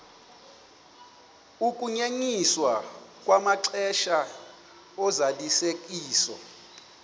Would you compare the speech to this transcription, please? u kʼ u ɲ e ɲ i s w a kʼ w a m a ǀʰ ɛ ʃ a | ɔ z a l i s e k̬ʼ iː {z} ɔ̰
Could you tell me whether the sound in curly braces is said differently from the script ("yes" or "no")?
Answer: yes